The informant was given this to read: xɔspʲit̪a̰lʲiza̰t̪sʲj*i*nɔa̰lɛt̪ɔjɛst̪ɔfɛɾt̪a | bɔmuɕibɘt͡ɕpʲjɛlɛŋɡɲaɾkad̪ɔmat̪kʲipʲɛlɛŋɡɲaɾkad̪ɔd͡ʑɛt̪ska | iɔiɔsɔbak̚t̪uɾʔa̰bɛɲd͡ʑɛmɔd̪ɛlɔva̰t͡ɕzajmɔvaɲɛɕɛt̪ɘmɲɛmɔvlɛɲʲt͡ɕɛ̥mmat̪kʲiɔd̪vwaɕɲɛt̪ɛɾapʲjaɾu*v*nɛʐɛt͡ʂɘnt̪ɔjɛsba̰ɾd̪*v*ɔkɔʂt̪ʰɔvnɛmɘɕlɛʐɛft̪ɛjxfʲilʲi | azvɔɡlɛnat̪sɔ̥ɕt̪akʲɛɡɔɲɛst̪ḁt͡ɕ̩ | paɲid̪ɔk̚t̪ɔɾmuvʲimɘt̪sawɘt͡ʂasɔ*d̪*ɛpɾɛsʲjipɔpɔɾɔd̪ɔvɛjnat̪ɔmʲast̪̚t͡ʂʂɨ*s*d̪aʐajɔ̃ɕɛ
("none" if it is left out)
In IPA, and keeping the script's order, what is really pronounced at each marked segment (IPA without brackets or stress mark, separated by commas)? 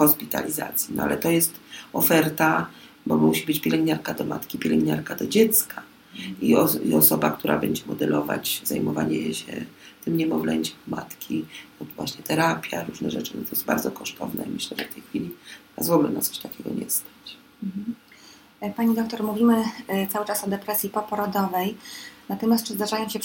i, ʐ, z, d̪, z